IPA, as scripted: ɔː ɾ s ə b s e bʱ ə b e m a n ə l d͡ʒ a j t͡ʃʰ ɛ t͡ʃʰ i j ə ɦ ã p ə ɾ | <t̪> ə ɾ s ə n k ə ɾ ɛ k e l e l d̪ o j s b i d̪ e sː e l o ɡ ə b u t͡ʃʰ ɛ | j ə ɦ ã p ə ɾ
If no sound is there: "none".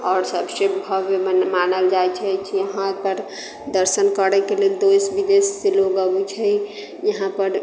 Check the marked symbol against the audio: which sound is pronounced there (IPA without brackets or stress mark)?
d̪